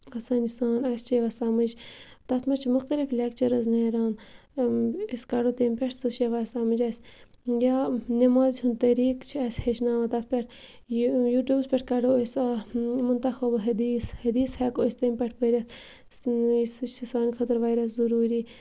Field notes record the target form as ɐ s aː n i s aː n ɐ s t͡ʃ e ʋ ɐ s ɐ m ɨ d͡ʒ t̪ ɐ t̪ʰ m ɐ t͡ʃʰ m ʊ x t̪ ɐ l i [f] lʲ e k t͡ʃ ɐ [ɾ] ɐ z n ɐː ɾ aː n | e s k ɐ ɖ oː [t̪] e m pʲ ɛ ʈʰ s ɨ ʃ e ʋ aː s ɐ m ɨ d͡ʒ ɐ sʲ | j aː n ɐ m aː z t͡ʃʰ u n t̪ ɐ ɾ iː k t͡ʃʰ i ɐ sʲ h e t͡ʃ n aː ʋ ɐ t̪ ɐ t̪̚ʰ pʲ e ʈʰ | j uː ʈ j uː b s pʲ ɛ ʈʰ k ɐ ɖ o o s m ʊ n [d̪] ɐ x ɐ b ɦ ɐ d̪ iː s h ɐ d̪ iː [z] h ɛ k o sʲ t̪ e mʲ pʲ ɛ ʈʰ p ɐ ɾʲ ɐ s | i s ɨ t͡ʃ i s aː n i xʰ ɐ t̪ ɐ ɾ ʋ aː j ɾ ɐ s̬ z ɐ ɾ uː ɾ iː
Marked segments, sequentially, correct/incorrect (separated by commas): correct, correct, correct, incorrect, incorrect